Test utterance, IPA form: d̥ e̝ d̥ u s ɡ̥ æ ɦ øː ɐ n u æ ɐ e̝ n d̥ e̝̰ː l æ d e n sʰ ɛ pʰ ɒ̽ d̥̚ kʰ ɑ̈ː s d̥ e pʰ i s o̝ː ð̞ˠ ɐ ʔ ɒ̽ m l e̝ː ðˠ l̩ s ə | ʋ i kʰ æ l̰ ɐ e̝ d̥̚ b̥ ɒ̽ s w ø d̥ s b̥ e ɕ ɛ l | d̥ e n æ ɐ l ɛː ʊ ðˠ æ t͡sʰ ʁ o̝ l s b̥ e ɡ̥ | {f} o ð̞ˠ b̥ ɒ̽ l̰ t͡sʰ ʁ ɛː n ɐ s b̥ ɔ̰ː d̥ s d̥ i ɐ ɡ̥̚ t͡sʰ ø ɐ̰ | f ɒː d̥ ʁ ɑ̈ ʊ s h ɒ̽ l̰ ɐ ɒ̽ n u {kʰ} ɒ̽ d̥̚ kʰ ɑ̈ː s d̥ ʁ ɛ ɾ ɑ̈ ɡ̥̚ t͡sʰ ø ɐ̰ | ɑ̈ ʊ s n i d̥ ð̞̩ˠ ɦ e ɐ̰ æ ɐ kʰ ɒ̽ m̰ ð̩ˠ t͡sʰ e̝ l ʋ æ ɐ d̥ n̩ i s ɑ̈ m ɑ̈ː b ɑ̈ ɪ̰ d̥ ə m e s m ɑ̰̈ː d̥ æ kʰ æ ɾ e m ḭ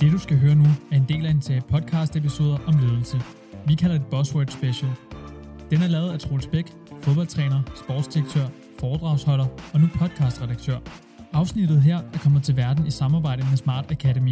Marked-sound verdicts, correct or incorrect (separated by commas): correct, incorrect